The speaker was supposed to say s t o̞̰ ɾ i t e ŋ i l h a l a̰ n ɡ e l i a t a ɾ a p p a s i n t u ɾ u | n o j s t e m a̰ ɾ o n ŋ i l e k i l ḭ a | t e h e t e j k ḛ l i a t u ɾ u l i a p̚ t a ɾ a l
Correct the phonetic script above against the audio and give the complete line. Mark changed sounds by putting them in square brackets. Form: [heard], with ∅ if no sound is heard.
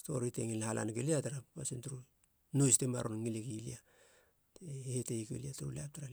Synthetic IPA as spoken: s t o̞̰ ɾ i t e ŋ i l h a l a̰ n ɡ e l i a t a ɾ a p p a s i n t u ɾ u | n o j s t e m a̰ ɾ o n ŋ i l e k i l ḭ a | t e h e t e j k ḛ l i a t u ɾ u l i a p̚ t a ɾ a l